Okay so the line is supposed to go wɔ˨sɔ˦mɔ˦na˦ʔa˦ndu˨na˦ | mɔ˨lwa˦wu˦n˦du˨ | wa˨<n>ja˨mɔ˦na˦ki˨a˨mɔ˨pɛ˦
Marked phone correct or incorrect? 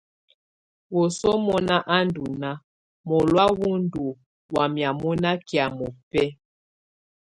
incorrect